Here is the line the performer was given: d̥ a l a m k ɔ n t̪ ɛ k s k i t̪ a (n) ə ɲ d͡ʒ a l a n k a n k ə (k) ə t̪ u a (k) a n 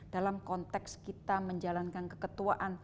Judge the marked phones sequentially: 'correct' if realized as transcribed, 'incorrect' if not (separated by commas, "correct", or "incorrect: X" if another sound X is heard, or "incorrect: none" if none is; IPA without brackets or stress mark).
incorrect: m, correct, incorrect: ʔ